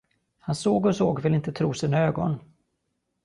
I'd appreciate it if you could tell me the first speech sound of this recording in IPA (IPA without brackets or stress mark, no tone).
h